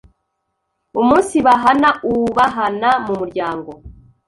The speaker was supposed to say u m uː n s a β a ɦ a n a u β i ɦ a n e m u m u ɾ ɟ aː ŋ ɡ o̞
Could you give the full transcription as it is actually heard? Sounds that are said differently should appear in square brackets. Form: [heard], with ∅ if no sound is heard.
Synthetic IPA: u m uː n s [i] β a ɦ a n a u β [a] ɦ a n [a] m u m u ɾ ɟ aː ŋ ɡ o̞

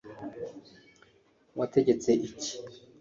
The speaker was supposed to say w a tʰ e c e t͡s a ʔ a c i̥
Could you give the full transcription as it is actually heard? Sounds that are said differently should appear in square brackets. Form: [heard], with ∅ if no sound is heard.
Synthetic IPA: w a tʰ e [ɟ] e t͡s [e] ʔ [i] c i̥

